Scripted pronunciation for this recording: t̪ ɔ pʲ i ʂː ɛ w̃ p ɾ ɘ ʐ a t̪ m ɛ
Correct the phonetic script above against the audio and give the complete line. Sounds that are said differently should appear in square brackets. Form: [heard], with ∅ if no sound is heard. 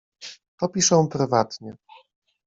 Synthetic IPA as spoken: t̪ ɔ pʲ i [ʂ] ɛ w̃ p ɾ ɘ [v] a t̪ [ɲ] ɛ